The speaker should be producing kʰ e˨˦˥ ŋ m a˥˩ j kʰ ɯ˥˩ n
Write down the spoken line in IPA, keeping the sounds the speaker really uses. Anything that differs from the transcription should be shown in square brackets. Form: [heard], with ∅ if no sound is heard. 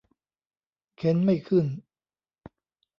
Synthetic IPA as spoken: kʰ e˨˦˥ [n] m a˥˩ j kʰ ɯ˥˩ n